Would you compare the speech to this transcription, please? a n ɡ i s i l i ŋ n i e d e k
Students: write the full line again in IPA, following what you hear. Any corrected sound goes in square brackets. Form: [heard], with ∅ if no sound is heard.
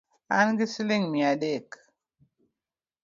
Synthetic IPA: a n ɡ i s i l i ŋ [m] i [a] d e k